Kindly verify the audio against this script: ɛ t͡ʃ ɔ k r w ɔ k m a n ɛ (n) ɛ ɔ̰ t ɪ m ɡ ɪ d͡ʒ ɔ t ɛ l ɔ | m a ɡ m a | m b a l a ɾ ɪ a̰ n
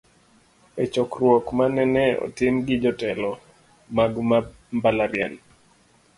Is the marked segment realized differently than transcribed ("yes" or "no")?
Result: no